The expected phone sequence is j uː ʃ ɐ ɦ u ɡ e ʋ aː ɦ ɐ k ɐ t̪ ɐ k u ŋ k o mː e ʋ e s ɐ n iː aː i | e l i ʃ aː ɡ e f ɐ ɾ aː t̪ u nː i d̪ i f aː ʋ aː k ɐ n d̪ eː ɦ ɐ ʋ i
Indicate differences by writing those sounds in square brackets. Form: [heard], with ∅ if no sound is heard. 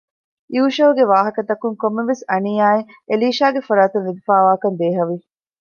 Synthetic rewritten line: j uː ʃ ɐ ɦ u ɡ e ʋ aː ɦ ɐ k ɐ t̪ ɐ k u ŋ k o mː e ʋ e s ɐ n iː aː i | e l [iː] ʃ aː ɡ e f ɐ ɾ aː t̪ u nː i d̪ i f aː ʋ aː k ɐ n d̪ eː ɦ ɐ ʋ i